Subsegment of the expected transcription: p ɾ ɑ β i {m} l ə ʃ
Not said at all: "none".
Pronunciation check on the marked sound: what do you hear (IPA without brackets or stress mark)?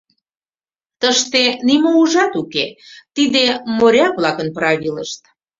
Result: none